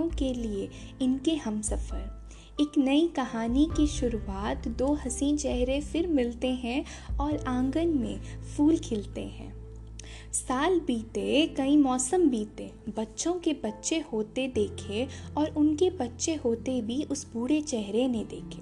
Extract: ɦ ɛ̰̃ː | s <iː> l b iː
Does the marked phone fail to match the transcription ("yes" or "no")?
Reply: yes